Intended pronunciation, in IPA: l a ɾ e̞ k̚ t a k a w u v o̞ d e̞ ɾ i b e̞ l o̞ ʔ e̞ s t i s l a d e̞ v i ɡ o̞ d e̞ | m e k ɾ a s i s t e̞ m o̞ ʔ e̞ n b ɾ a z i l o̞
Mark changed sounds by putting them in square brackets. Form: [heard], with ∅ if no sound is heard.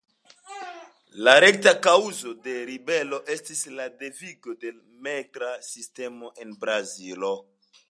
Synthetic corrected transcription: l a ɾ e̞ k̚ t a k a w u [z] o̞ d e̞ ɾ i b e̞ l o̞ ʔ e̞ s t i s l a d e̞ v i ɡ o̞ d e̞ | m e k ɾ a s i s t e̞ m o̞ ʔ e̞ n b ɾ a z i l o̞